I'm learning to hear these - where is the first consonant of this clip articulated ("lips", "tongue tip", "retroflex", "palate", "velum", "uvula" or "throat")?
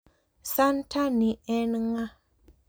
tongue tip